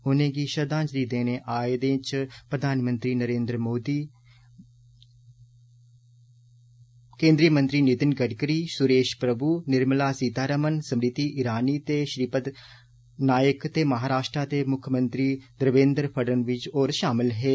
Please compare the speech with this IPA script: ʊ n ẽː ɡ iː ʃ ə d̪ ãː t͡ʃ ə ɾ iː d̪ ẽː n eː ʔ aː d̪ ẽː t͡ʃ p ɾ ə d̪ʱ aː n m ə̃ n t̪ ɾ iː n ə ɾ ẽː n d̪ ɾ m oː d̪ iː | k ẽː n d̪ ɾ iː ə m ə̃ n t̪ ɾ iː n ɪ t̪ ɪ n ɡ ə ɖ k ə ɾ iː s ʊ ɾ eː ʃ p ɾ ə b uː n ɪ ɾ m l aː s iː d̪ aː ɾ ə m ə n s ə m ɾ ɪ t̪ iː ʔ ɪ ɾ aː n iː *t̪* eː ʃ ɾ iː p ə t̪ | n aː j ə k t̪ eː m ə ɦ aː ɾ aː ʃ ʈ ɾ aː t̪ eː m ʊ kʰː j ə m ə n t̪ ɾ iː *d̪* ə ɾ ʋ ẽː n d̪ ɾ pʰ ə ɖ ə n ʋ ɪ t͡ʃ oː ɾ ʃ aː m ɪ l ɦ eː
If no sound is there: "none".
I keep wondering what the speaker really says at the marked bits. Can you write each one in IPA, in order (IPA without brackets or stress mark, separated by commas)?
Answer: t̪, d̪